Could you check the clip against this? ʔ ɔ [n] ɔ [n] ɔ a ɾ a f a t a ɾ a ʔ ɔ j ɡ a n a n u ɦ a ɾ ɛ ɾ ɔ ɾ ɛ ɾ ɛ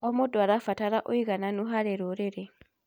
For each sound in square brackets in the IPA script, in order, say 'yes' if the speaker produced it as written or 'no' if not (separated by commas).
no, no